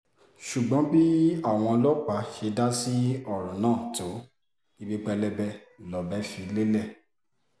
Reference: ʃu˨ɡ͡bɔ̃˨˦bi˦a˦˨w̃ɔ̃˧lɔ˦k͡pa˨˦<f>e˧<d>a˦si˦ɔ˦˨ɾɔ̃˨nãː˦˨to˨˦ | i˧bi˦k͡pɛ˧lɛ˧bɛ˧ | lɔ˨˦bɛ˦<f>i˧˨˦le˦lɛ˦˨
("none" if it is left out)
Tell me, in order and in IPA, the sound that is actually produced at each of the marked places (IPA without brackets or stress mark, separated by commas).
ʃ, d, f